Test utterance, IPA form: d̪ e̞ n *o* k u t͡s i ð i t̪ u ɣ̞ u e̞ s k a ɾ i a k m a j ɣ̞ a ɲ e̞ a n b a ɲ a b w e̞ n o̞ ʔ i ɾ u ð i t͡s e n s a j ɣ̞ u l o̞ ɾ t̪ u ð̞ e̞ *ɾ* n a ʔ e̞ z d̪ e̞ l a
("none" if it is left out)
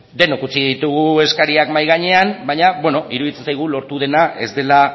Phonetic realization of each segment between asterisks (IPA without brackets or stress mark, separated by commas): o, none